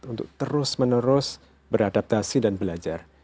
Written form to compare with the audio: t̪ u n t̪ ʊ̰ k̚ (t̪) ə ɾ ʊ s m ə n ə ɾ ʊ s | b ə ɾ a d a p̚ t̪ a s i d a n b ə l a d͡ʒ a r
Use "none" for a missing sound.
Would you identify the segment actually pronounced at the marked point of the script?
t̪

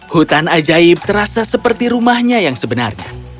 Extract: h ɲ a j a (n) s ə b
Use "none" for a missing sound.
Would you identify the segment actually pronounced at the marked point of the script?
ŋ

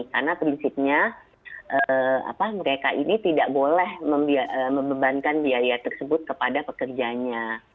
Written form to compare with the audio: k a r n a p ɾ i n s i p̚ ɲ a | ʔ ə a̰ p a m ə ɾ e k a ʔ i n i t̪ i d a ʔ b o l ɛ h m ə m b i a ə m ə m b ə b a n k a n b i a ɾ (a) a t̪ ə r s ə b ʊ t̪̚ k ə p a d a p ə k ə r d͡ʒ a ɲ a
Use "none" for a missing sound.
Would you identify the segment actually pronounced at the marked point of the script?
i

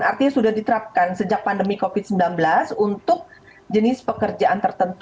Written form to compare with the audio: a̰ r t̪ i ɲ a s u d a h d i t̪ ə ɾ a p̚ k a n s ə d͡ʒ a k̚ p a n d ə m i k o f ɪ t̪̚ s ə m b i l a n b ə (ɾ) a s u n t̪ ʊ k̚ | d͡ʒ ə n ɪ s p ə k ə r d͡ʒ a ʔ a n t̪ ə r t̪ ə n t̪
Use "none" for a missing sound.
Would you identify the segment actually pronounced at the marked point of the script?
l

